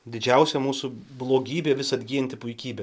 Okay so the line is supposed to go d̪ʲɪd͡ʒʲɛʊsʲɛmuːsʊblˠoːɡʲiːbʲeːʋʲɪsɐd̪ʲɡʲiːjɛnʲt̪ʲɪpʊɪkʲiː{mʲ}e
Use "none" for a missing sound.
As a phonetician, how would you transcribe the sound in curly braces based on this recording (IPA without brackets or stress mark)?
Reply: bʲ